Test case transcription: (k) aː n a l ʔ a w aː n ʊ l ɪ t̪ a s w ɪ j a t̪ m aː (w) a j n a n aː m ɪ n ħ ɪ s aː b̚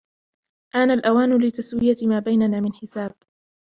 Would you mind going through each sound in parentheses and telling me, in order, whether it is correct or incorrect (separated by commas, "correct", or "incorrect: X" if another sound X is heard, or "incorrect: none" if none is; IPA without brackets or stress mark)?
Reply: incorrect: ʔ, incorrect: b